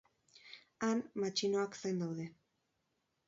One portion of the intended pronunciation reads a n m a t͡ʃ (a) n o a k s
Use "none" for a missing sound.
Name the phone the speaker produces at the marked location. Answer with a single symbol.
i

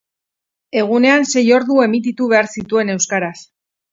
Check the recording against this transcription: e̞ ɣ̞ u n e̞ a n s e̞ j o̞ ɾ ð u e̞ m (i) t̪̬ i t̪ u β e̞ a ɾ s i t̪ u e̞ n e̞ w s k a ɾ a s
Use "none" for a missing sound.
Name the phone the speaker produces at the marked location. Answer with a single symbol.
i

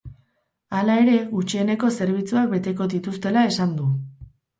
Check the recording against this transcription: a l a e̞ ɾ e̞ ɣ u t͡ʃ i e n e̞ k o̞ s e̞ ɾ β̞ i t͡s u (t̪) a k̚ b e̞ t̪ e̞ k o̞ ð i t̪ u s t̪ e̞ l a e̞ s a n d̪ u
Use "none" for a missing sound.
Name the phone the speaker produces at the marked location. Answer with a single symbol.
none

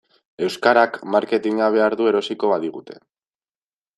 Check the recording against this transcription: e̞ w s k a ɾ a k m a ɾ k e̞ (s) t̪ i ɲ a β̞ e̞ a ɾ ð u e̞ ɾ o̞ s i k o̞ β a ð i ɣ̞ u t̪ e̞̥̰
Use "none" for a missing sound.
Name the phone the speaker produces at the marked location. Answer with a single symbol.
none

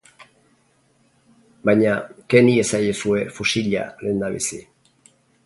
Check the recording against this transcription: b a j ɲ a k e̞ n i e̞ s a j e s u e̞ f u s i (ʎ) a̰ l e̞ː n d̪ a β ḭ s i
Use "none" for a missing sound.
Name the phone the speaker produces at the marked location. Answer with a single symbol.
ʎ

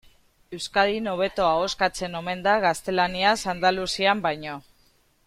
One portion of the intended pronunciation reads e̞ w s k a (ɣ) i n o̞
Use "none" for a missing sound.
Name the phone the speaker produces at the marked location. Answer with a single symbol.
ð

